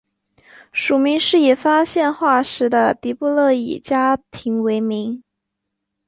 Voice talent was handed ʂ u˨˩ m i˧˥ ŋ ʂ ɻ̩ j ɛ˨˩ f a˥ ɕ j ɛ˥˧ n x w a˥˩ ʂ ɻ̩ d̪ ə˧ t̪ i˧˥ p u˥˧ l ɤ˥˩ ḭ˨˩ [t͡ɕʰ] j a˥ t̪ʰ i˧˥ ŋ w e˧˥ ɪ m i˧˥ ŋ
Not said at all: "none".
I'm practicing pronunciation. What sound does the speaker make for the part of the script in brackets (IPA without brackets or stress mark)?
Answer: t͡ɕ